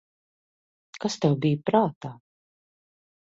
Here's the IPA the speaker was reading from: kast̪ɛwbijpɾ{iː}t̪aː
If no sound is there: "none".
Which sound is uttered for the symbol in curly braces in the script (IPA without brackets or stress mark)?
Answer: aː